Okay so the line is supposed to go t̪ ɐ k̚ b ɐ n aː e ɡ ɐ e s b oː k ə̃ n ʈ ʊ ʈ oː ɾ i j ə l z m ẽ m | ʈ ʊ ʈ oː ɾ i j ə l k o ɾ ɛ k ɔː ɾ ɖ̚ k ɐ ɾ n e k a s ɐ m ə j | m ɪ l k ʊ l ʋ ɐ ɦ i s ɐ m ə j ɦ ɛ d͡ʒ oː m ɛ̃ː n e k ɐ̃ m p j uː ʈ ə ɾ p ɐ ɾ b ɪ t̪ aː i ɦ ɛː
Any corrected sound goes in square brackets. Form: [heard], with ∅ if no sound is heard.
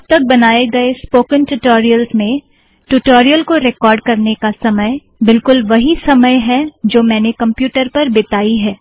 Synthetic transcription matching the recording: t̪ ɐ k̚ b ɐ n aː e ɡ ɐ e s [p] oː k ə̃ n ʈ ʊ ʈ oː ɾ i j ə l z m ẽ [∅] | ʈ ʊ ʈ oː ɾ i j ə l k o ɾ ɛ k ɔː ɾ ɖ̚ k ɐ ɾ n e k a s ɐ m ə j | [b] ɪ l k ʊ l ʋ ɐ ɦ i s ɐ m ə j ɦ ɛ d͡ʒ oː m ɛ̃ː n e k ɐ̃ m p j uː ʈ ə ɾ p ɐ ɾ b ɪ t̪ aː i ɦ ɛː